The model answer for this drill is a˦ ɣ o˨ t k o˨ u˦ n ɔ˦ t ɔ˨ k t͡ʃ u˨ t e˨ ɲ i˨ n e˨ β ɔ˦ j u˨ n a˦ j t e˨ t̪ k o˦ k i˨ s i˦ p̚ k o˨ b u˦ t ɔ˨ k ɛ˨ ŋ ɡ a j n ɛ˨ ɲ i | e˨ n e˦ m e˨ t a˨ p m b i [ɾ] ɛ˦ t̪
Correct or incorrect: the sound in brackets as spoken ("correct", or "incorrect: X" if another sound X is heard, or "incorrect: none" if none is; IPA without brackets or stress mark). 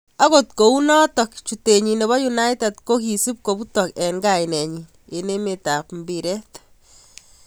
correct